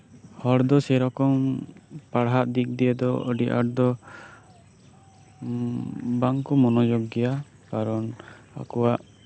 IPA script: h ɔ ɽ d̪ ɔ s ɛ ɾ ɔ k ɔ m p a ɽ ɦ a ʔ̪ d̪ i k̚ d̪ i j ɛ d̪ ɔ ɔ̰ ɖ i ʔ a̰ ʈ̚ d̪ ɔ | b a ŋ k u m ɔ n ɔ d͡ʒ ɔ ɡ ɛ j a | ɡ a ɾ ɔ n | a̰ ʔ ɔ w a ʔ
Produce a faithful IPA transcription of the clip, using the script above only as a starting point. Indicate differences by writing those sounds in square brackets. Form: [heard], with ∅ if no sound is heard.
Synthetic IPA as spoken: h ɔ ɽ d̪ ɔ s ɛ ɾ ɔ k ɔ m p a ɽ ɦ a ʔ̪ d̪ i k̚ d̪ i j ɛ d̪ ɔ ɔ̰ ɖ i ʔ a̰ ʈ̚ d̪ ɔ | b a ŋ k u m ɔ n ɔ d͡ʒ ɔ ɡ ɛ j a | [k] a ɾ ɔ n | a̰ [k] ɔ w a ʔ